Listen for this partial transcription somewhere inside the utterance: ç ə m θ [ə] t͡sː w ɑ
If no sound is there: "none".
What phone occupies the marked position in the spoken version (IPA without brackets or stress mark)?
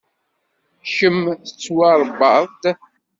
ə